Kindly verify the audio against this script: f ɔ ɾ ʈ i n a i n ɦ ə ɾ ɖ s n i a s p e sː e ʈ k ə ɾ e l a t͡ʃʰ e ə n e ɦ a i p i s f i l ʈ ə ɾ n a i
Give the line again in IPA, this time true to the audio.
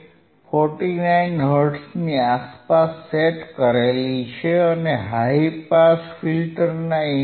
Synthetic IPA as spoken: f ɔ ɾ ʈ i n a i n ɦ ə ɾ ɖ s n i a s p a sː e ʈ k ə ɾ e l i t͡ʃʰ e ə n e ɦ a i p a s f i l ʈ ə ɾ n a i